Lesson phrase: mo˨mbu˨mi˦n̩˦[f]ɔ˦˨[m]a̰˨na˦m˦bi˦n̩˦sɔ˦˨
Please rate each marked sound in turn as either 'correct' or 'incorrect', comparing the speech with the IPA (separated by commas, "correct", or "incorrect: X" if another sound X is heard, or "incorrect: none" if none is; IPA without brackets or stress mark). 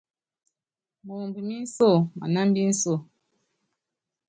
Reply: incorrect: s, correct